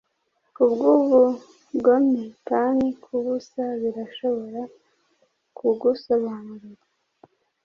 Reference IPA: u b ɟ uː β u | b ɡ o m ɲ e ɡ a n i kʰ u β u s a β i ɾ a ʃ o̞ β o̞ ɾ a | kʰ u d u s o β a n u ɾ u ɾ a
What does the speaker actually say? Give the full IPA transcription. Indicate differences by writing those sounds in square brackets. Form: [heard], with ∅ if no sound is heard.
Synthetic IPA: u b [ɡ] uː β u | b ɡ o m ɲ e [k] a n i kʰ u β u s a β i ɾ a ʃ o̞ β o̞ ɾ a | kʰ u [ɡ] u s o β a n u ɾ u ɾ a